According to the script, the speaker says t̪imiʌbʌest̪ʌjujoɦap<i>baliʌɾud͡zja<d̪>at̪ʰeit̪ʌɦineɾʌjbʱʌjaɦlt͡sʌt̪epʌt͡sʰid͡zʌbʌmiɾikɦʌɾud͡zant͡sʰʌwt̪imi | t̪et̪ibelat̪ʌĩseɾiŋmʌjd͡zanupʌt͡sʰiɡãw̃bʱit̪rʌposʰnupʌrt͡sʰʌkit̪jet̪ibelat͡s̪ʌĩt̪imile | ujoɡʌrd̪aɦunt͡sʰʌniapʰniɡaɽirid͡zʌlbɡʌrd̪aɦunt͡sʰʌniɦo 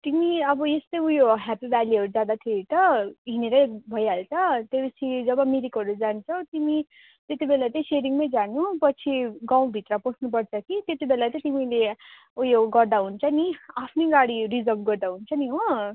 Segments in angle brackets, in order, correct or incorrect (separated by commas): correct, correct